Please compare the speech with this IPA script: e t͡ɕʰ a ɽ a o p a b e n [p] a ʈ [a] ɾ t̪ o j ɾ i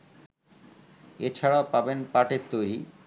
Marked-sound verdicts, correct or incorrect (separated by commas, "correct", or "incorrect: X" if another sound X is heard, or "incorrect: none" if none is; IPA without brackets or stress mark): correct, incorrect: e